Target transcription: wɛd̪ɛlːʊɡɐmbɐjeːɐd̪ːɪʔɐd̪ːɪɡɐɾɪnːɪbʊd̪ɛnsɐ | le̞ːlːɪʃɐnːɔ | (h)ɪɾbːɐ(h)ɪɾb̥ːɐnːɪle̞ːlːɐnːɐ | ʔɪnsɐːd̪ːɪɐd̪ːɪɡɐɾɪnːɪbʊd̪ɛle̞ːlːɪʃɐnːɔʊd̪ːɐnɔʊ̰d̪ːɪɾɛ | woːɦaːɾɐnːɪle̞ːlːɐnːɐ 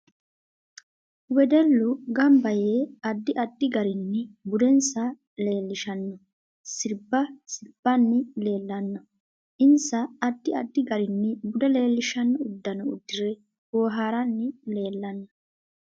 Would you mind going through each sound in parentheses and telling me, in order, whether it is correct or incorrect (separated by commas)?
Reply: incorrect, incorrect